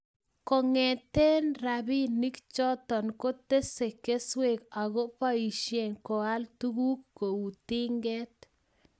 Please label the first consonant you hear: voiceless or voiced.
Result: voiceless